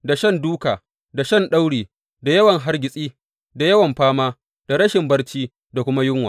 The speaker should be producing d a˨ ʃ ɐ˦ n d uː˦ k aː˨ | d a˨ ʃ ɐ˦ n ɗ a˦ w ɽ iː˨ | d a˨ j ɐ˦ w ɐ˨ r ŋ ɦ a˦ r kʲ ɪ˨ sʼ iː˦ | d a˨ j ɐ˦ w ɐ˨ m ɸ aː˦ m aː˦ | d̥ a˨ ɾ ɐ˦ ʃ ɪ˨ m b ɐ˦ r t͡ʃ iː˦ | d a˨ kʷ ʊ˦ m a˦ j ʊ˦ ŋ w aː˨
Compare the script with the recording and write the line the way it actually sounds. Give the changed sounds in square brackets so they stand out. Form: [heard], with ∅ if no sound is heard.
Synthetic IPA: d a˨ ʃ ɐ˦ n d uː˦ k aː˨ | d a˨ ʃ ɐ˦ n ɗ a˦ w ɽ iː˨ | d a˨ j ɐ˦ w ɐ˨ [∅] ŋ ɦ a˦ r [ɡʲ] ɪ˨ sʼ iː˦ | d a˨ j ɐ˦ w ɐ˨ m ɸ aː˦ m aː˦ | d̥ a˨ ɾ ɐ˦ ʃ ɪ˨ m b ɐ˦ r t͡ʃ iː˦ | d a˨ kʷ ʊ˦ m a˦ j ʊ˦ ŋ w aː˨